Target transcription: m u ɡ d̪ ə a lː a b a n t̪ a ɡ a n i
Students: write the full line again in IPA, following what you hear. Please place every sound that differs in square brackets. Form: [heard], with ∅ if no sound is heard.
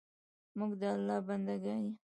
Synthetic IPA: m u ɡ d̪ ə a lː [ɑ] b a n [d̪] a ɡ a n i